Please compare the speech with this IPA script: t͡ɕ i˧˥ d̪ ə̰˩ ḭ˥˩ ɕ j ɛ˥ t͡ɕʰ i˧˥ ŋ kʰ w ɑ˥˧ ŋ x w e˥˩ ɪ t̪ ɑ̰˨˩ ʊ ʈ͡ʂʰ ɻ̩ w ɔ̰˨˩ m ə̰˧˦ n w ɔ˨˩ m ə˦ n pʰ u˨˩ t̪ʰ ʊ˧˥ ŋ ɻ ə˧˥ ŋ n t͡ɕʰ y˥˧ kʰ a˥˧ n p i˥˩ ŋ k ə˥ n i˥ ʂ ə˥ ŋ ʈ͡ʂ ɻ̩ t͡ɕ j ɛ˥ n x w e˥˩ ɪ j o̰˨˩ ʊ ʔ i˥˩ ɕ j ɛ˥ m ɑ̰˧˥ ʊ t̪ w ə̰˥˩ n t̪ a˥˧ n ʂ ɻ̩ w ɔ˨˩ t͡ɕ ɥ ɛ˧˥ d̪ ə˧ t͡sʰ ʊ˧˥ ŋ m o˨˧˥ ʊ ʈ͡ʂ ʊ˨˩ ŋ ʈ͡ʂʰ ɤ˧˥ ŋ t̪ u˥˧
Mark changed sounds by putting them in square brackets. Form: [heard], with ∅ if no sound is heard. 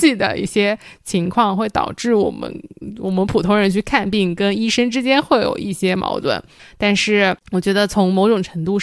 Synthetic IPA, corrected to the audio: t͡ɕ [i˥˩] d̪ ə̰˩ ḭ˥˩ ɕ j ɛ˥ t͡ɕʰ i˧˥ ŋ kʰ w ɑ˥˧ ŋ x w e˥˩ ɪ t̪ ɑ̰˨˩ ʊ [ʈ͡ʂ] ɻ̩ w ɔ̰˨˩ m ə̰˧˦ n w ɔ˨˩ m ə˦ n pʰ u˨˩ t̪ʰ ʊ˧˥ ŋ ɻ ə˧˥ [∅] n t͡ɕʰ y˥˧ kʰ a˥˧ n p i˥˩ ŋ k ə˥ n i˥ ʂ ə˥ ŋ ʈ͡ʂ ɻ̩ t͡ɕ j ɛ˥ n x w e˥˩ ɪ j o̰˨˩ ʊ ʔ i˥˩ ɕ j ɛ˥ m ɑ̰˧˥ ʊ t̪ w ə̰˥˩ n t̪ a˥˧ n ʂ ɻ̩ w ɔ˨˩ t͡ɕ ɥ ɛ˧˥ d̪ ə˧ t͡sʰ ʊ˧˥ ŋ m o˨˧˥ ʊ ʈ͡ʂ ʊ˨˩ ŋ ʈ͡ʂʰ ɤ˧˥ ŋ t̪ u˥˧